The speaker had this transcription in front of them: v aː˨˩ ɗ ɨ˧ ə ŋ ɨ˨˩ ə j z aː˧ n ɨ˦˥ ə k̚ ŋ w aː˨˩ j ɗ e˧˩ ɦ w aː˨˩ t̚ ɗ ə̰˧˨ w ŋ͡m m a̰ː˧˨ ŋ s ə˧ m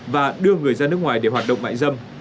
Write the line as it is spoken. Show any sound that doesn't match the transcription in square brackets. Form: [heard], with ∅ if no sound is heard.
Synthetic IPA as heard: v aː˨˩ ɗ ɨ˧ ə ŋ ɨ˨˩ ə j z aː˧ n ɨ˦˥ ə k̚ ŋ w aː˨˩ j ɗ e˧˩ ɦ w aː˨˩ t̚ ɗ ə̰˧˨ w ŋ͡m m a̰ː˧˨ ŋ [z] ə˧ m

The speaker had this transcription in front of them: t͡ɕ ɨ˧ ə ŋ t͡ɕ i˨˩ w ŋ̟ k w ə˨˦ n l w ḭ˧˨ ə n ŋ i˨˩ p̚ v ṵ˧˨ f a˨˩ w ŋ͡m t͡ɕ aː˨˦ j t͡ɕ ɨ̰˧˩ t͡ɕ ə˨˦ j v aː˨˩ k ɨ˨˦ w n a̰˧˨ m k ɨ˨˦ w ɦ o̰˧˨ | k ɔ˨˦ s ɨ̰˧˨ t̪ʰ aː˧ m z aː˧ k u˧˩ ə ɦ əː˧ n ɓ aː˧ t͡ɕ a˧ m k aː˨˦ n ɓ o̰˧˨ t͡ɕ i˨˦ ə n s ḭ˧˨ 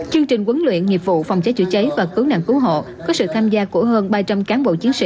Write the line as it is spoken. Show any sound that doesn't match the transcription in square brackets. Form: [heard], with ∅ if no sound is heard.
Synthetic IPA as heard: t͡ɕ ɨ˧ ə ŋ t͡ɕ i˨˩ [∅] ŋ̟ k w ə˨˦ n l w ḭ˧˨ ə n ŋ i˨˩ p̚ v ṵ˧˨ f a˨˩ w ŋ͡m t͡ɕ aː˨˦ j t͡ɕ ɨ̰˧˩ t͡ɕ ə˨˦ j v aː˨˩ k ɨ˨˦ w n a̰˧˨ [ŋ] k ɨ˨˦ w ɦ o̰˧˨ | k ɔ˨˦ s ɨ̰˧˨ t̪ʰ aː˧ m z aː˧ k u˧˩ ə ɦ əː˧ n ɓ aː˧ t͡ɕ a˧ m k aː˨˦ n ɓ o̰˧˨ t͡ɕ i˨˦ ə n s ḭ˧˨

